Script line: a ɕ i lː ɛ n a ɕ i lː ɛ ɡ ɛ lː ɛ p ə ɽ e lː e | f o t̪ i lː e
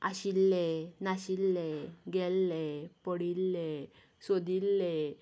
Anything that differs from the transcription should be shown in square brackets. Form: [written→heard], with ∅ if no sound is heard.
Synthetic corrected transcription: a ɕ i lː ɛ n a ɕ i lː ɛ ɡ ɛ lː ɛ p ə ɽ [e→i] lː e | [f→s] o [t̪→d̪] i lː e